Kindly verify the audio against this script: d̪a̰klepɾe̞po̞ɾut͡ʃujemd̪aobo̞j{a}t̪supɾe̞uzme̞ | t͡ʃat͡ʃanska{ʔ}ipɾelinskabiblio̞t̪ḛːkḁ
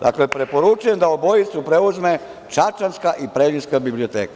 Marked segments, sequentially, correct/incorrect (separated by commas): incorrect, correct